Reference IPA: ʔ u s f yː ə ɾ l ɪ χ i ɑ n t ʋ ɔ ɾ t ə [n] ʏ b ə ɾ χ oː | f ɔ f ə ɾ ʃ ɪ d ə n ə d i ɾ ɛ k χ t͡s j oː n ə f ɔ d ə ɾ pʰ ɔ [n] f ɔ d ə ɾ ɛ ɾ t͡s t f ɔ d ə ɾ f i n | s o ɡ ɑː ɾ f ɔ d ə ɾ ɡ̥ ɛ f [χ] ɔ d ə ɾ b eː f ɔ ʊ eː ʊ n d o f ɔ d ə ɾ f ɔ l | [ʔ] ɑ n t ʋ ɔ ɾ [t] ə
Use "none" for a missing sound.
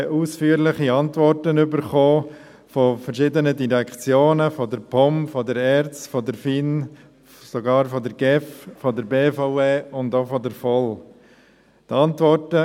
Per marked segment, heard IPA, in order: n, m, f, t, t

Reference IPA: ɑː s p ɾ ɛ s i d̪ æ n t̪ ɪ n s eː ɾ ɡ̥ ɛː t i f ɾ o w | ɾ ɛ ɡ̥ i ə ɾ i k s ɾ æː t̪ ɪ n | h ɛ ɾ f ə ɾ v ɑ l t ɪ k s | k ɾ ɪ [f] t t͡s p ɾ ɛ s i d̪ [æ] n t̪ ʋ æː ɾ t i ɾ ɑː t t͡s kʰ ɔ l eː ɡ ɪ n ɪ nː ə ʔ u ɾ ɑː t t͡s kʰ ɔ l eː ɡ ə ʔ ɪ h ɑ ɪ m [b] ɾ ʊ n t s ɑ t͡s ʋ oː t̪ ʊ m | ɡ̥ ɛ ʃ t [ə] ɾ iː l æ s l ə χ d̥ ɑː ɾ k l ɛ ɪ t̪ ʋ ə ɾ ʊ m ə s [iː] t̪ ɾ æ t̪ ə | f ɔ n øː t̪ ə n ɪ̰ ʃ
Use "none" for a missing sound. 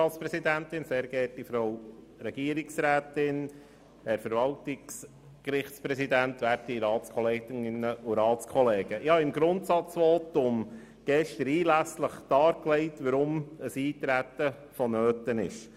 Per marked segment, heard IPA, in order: χ, æ, ɡ, ə, iː

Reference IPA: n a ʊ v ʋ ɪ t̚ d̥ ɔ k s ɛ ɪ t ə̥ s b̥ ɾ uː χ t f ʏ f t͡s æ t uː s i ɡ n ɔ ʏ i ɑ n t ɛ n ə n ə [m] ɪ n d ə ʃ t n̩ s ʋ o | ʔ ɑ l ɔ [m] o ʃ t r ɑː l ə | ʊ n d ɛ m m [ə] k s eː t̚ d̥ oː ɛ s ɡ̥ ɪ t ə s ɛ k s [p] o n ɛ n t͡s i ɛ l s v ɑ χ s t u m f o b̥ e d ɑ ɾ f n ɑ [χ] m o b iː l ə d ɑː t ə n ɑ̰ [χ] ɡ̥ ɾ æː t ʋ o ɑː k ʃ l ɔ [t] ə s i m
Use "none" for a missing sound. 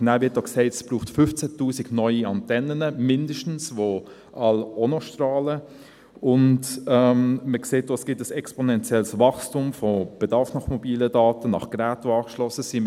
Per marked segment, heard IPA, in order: m, n, ə, p, χ, χ, s

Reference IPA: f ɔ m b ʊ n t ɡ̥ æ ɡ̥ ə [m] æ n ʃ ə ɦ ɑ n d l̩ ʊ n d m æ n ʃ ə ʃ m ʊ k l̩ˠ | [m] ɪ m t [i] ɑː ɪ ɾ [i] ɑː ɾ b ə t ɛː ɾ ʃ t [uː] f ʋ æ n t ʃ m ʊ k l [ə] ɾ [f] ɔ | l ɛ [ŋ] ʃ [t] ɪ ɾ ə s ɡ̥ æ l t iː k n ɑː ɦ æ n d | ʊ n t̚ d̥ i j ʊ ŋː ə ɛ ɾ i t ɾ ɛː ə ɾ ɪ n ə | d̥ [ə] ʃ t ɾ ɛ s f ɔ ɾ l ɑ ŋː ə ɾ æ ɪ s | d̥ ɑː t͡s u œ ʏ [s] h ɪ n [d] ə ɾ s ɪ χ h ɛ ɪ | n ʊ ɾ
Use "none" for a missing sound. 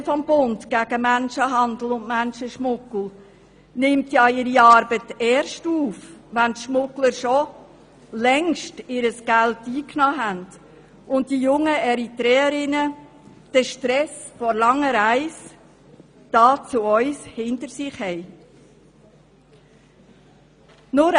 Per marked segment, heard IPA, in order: m, n, j, i, uː, ə, ʃ, ŋ, t, ə, s, t

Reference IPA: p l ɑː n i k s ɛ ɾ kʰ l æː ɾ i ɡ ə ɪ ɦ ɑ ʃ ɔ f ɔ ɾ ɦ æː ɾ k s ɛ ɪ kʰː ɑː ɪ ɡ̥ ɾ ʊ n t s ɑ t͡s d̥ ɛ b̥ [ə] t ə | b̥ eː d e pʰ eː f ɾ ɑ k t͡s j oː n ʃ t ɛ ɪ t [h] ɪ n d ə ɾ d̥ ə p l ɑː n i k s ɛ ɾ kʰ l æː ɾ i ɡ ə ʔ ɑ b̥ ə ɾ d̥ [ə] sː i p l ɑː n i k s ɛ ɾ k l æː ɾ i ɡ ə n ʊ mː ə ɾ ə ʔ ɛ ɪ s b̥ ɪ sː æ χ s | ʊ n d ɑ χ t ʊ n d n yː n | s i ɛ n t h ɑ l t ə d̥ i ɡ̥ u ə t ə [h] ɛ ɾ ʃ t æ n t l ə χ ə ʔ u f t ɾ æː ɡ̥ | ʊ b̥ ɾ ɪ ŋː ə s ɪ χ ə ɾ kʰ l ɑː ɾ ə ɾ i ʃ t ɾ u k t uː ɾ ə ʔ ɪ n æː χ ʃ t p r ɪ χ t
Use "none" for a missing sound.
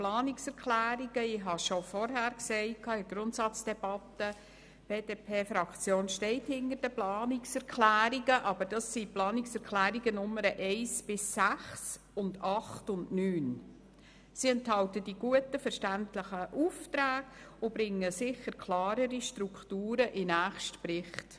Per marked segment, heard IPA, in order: ɑ, h, ɑ, f

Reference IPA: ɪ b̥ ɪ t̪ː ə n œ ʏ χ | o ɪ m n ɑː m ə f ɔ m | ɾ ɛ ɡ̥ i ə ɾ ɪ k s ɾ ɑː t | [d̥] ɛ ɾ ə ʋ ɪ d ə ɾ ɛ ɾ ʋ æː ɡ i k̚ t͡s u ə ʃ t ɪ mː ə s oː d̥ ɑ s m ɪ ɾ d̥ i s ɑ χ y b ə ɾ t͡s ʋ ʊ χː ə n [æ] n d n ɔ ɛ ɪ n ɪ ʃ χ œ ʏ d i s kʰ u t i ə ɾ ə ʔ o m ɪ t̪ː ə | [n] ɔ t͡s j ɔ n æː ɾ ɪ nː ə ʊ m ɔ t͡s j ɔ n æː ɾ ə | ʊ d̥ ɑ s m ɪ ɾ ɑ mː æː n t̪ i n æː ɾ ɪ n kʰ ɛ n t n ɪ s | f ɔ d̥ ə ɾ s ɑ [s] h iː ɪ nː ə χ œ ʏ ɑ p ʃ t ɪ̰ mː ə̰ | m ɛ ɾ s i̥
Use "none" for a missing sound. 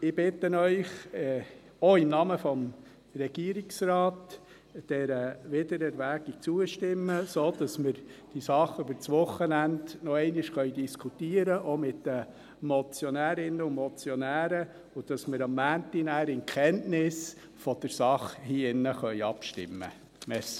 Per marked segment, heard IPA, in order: d̥, æ, m, χ

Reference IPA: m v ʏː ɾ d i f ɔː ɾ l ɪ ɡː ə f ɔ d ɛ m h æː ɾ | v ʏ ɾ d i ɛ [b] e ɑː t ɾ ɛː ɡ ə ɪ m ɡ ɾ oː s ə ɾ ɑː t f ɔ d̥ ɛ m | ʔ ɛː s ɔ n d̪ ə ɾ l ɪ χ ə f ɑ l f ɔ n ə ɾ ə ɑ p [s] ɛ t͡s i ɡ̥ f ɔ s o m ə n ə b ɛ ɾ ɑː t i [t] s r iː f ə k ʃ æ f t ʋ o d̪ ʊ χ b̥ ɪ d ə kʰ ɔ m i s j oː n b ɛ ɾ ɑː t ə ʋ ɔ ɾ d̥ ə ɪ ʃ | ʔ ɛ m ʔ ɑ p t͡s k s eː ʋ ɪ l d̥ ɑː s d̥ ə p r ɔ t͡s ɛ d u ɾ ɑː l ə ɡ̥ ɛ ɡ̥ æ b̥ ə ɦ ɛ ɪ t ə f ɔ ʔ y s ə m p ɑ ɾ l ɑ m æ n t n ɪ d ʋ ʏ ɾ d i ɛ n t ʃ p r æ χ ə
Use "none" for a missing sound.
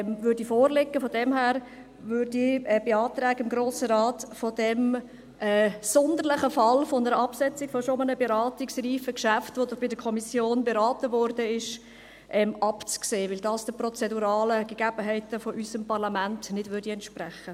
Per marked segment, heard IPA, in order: b, s, k

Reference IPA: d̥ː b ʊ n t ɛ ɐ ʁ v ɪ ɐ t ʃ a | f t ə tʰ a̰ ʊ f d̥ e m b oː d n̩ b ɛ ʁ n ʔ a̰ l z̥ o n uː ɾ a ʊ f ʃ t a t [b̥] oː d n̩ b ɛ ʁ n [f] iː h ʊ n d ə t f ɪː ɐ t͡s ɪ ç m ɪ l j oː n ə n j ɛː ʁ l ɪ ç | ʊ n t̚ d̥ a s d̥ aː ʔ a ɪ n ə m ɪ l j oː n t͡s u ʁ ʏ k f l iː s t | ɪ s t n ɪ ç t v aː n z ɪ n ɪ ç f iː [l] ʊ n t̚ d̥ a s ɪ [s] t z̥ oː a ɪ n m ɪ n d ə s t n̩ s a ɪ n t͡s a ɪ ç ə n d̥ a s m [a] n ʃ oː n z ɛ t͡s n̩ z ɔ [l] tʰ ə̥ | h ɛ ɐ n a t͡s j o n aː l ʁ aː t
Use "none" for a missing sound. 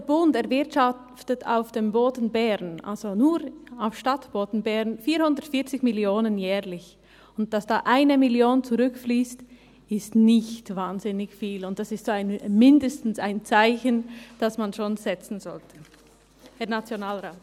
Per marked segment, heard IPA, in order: b̥, f, l, s, a, l

